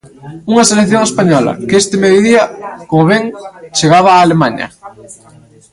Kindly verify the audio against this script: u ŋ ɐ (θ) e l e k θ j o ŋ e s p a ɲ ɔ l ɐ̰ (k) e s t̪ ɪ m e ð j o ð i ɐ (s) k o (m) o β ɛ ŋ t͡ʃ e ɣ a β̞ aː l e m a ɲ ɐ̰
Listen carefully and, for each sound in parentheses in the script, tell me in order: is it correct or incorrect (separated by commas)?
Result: incorrect, correct, incorrect, correct